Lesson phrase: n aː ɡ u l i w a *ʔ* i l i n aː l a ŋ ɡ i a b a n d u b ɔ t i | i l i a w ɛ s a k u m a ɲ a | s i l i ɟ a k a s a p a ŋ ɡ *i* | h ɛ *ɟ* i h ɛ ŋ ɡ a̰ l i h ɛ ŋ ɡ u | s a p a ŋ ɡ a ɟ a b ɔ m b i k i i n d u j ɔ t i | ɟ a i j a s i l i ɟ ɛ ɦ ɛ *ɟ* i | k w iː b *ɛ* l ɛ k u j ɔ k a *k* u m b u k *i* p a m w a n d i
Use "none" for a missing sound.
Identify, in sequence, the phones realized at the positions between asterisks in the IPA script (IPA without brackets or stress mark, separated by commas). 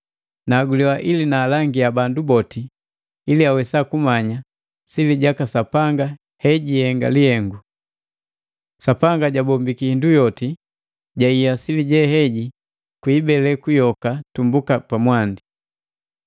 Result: ʔ, a, ɟ, ɟ, ɛ, t, a